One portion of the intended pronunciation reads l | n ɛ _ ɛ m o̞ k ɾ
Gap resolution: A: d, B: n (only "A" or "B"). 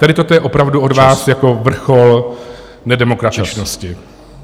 A